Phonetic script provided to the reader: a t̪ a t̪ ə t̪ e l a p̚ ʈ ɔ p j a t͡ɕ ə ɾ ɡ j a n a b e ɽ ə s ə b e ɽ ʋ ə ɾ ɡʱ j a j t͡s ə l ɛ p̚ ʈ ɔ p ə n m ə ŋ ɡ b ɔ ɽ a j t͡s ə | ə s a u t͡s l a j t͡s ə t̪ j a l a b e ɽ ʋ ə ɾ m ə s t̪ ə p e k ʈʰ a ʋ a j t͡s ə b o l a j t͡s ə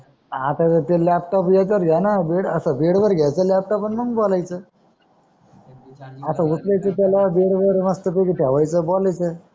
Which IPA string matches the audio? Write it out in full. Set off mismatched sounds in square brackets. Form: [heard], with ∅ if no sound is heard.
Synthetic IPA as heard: a t̪ a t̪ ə t̪ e l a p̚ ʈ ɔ p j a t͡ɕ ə ɾ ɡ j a n a b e ɽ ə s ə b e ɽ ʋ ə ɾ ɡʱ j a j t͡s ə l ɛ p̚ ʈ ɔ p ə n m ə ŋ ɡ b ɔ [l] a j t͡s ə | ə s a u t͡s l a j t͡s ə t̪ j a l a b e ɽ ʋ ə ɾ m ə s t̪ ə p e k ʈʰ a ʋ a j t͡s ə b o l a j t͡s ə